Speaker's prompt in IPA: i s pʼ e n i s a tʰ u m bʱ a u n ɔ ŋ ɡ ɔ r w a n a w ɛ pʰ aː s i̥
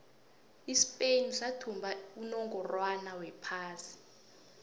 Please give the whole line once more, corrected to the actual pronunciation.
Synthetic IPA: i s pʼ e n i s a tʰ u m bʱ a u n ɔ ŋ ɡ ɔ r w a n a w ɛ pʰ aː s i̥